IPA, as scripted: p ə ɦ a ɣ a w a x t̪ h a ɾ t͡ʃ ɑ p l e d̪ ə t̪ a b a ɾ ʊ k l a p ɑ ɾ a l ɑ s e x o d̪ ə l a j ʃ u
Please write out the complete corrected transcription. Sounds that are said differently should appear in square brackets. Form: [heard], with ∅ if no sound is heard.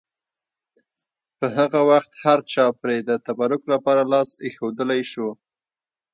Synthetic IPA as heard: p ə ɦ a ɣ a w a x t̪ h a ɾ t͡ʃ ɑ p [ɾ] e d̪ ə t̪ a b a ɾ ʊ k l a p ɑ ɾ a l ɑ s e x o d̪ ə l a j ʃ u